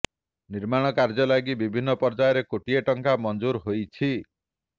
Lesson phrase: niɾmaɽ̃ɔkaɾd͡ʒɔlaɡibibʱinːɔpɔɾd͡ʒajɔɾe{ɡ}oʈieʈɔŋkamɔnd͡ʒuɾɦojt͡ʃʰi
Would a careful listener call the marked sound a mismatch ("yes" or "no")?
yes